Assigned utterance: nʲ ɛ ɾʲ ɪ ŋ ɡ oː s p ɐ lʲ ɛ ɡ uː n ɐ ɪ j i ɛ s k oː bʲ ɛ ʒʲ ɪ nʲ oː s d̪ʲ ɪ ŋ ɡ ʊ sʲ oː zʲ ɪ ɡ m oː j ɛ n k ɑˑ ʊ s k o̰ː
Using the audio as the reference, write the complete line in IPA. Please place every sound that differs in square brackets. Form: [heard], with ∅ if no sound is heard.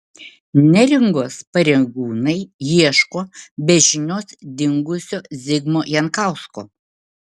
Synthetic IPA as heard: nʲ ɛ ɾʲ ɪ ŋ ɡ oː s p ɐ [ɾʲ] ɛ ɡ uː n ɐ ɪ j i ɛ [ʃ] k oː bʲ ɛ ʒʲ ɪ nʲ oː s d̪ʲ ɪ ŋ ɡ ʊ sʲ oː zʲ ɪ ɡ m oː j ɛ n k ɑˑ ʊ s k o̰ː